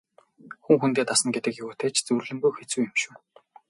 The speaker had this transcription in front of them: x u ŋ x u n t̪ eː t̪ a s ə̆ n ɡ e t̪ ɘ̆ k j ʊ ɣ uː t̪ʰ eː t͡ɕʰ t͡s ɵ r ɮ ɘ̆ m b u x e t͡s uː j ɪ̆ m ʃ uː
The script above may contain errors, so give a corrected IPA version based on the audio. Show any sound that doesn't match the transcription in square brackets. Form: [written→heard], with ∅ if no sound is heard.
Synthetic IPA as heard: x u ŋ x u n t̪ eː t̪ a s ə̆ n ɡ e t̪ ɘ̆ k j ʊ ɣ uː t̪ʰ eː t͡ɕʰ t͡s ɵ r ɮ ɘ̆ m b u x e t͡s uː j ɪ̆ m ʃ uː